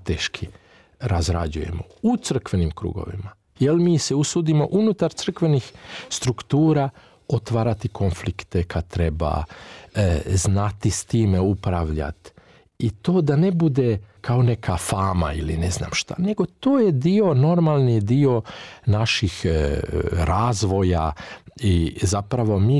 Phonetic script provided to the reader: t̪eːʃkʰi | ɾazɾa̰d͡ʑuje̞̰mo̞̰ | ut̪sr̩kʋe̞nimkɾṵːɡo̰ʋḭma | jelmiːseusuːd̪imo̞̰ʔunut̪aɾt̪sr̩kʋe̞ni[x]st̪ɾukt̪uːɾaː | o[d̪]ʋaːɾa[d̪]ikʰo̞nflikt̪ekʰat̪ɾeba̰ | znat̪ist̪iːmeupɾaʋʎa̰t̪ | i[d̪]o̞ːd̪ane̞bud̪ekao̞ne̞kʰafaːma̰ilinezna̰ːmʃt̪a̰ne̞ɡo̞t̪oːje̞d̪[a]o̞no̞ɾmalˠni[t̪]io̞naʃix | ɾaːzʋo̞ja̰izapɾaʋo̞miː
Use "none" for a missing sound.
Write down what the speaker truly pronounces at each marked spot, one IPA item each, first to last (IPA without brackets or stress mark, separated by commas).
x, t̪, t̪, t̪, i, d̪